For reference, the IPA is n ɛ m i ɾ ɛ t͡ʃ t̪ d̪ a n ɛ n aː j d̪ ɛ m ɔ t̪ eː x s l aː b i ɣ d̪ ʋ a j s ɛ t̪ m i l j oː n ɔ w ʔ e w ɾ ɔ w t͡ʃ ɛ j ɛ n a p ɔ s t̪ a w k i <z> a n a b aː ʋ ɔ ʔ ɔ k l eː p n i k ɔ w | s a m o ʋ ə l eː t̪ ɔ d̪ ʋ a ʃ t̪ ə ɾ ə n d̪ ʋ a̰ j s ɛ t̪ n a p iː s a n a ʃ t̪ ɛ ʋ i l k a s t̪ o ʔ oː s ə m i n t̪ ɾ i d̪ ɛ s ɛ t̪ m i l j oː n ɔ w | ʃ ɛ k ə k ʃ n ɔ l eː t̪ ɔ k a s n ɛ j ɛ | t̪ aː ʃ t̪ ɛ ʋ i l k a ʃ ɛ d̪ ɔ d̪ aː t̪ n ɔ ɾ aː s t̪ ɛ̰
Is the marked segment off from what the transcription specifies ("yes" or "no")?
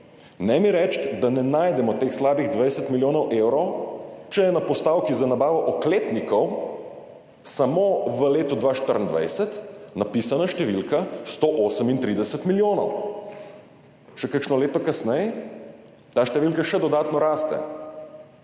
no